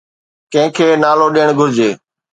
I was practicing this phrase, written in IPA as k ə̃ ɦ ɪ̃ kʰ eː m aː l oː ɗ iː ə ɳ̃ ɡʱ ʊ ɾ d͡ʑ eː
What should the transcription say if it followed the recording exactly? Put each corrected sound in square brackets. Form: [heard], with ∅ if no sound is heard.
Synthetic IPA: k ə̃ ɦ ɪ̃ kʰ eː [n] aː l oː ɗ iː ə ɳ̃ ɡʱ ʊ ɾ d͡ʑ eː